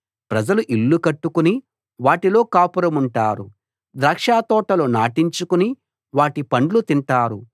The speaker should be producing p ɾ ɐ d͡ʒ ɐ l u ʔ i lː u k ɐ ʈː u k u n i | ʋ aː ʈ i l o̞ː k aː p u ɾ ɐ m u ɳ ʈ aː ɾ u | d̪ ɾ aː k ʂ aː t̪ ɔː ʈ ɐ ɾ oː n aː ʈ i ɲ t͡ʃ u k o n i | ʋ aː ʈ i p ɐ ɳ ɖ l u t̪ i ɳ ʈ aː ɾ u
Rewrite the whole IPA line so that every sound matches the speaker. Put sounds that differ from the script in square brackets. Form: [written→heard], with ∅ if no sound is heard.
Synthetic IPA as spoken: p ɾ ɐ d͡ʒ ɐ l u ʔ i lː u k ɐ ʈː u k u n i | ʋ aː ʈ i l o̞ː k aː p u ɾ ɐ m u ɳ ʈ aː ɾ u | d̪ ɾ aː k ʂ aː t̪ ɔː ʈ ɐ [ɾ→l] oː n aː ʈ i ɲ t͡ʃ u k [o→u] n i | ʋ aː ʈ i p ɐ ɳ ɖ l u t̪ i ɳ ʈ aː ɾ u